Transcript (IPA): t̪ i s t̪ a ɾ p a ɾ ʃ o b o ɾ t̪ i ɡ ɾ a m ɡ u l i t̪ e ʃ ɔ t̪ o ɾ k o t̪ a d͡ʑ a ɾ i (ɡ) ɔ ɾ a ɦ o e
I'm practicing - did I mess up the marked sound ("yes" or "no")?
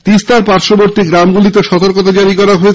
yes